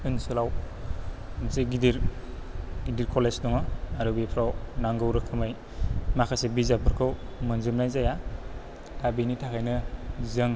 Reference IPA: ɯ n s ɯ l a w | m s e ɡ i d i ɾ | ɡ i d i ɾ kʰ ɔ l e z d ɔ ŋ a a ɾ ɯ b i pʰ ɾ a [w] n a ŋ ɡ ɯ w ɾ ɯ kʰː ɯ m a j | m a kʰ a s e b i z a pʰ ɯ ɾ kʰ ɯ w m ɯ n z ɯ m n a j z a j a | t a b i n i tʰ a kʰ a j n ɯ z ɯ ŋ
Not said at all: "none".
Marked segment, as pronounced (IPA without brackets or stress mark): w